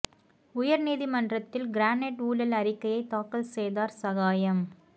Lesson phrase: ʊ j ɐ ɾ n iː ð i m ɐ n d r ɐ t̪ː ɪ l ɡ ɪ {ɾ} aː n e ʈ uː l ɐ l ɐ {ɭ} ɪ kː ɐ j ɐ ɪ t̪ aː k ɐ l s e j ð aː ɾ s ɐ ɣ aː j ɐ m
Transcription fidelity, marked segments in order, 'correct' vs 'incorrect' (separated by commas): correct, incorrect